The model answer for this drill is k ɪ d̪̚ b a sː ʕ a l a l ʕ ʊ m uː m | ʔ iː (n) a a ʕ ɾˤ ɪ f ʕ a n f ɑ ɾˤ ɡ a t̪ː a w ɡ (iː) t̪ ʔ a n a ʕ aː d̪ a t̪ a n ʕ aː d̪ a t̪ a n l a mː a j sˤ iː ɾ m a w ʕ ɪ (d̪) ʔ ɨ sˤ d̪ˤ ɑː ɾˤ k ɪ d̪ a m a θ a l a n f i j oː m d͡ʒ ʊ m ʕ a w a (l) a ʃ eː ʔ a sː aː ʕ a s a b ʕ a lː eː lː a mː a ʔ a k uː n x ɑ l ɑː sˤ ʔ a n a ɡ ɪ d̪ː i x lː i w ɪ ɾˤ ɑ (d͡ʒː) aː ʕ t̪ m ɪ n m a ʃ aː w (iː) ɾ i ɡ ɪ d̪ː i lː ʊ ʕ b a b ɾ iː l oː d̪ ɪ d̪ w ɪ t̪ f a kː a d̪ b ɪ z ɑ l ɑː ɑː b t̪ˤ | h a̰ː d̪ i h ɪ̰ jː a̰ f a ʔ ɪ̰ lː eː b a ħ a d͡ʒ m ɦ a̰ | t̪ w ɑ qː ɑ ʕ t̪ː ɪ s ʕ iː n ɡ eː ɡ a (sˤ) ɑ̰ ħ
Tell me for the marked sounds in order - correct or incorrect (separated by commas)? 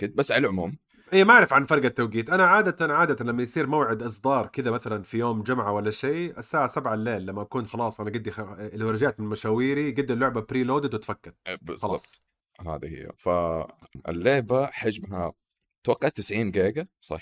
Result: incorrect, correct, correct, incorrect, incorrect, correct, correct